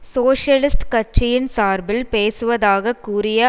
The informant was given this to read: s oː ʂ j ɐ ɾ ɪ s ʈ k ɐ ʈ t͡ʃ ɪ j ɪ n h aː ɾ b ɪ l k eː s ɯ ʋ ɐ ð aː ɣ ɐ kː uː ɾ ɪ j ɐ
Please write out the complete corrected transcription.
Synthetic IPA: s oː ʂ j ɐ l ɪ s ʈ k ɐ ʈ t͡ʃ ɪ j ɪ n s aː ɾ b ɪ l p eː s ɯ ʋ ɐ ð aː ɣ ɐ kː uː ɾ ɪ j ɐ